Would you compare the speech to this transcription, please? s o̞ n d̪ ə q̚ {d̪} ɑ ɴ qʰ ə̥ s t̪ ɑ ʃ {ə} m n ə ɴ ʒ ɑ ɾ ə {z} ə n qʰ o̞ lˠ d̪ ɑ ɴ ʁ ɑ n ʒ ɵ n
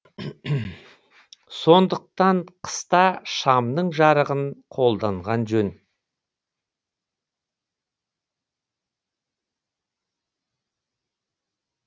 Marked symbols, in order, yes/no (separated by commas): no, no, no